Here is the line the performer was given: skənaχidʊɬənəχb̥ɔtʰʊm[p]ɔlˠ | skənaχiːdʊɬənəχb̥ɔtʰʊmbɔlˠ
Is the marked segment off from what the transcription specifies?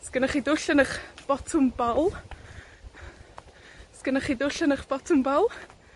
yes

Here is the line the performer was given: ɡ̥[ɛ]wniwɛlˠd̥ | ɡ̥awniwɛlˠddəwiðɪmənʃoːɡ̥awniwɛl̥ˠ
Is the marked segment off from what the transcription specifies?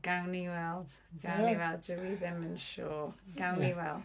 yes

